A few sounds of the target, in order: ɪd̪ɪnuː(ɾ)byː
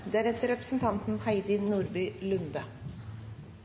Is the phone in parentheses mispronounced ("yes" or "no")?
no